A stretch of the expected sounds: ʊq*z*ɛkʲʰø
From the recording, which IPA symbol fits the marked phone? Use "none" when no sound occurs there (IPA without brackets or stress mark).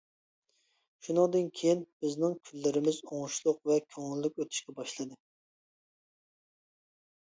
v